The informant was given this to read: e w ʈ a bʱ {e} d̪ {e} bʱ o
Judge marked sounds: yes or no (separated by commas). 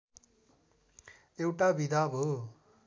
no, no